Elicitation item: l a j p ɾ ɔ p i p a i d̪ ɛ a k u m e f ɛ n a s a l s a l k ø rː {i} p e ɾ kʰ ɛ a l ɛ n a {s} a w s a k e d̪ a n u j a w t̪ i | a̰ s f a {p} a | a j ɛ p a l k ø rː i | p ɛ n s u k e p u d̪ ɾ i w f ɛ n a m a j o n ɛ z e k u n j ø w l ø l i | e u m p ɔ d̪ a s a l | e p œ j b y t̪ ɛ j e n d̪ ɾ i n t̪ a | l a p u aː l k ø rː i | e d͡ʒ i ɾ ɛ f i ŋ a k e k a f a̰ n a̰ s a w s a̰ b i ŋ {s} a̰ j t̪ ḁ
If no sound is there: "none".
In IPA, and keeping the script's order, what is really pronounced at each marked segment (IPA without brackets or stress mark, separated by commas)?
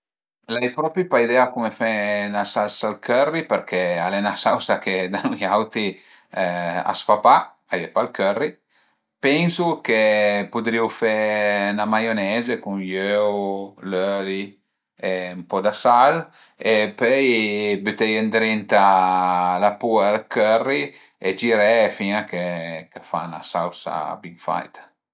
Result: i, s, p, f